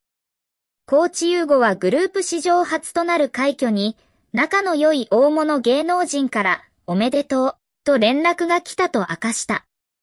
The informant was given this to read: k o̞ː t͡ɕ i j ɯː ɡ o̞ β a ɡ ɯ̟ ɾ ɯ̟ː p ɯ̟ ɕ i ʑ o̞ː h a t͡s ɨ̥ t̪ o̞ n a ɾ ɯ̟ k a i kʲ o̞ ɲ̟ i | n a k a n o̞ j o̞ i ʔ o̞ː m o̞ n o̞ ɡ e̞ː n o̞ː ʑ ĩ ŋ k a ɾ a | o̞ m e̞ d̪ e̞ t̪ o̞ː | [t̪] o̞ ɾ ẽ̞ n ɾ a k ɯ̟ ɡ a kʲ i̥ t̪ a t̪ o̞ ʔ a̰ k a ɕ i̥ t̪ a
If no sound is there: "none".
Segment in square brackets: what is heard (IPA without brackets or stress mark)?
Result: t̪